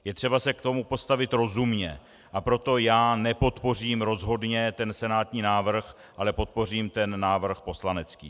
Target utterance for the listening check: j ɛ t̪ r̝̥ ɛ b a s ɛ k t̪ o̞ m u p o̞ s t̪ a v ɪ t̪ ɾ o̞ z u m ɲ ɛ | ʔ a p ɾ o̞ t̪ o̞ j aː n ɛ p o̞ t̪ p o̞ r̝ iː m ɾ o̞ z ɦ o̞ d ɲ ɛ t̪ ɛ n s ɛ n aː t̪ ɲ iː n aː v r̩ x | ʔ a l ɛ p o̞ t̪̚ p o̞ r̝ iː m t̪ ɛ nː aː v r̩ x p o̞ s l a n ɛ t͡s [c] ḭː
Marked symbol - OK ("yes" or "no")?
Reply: no